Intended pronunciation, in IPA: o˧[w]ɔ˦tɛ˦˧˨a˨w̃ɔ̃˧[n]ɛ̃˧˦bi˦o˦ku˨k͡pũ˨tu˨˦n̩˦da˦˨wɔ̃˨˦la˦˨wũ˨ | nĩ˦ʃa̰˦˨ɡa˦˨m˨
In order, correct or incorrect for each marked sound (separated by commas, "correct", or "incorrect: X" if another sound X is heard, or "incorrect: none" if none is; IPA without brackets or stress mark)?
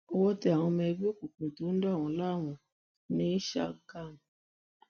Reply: correct, incorrect: m